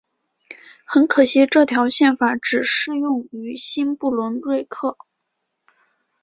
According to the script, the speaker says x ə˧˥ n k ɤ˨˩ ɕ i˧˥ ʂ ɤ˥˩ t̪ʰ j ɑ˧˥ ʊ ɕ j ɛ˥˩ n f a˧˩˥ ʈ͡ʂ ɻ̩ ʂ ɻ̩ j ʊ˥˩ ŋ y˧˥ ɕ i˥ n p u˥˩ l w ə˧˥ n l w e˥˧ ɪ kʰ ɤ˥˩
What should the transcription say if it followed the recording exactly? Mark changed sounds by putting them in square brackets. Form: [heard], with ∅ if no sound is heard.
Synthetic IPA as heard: x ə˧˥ n [kʰ] ɤ˨˩ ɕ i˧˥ [ʈ͡ʂ] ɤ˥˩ t̪ʰ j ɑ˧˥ ʊ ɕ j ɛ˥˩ n f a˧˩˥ ʈ͡ʂ ɻ̩ ʂ ɻ̩ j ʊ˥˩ ŋ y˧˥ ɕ i˥ n p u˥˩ l w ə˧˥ n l w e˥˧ ɪ kʰ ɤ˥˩